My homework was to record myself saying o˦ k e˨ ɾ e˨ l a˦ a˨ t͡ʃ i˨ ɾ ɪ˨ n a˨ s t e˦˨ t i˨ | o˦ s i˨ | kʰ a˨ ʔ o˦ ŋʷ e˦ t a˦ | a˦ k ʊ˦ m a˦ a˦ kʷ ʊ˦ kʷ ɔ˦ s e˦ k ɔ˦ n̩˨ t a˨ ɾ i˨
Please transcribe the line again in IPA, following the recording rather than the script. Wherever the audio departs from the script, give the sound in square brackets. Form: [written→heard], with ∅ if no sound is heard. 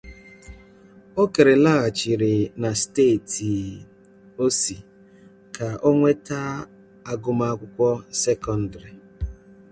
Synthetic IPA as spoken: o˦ k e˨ ɾ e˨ l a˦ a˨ t͡ʃ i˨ ɾ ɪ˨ n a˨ s t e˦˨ t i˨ | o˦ s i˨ | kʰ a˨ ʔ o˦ ŋʷ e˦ t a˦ | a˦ [k→ɡ] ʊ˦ m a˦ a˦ kʷ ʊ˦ kʷ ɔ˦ s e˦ k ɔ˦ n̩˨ [t→d] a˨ ɾ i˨